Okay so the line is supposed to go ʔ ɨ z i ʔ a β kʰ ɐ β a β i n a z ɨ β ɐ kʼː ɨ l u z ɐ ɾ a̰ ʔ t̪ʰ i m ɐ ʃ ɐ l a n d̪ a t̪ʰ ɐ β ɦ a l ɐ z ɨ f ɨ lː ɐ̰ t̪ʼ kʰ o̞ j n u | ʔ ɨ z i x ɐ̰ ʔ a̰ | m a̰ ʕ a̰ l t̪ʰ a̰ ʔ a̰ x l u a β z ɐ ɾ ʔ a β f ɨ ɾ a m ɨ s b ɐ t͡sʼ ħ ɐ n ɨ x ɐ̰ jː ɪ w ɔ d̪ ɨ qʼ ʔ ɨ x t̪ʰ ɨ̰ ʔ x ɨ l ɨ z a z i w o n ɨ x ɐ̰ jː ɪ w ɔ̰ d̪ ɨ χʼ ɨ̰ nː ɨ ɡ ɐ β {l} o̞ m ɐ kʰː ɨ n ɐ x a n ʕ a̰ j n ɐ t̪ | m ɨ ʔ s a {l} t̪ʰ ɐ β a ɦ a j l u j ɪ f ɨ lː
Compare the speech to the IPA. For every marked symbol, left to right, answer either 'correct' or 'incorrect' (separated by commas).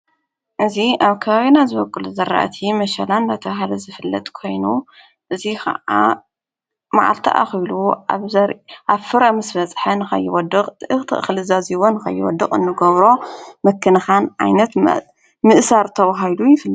incorrect, incorrect